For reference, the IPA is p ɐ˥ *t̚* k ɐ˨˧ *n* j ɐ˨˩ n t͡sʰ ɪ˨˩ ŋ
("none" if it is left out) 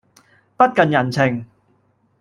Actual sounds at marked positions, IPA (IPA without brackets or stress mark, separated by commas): t̚, n